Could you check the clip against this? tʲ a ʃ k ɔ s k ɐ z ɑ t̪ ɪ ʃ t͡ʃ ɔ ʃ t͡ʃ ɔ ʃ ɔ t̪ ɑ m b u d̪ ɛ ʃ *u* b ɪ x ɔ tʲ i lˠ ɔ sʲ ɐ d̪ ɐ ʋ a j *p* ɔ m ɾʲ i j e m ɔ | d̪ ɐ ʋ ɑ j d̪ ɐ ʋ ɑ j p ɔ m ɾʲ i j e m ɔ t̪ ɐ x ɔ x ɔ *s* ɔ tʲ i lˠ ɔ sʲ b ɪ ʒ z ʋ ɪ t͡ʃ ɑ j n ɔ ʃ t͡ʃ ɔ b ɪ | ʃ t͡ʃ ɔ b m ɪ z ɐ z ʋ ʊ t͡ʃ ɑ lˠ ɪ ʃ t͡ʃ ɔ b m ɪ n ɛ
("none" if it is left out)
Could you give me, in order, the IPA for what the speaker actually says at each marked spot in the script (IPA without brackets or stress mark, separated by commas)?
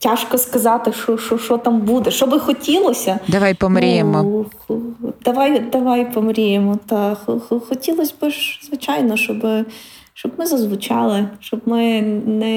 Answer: ɔ, p, x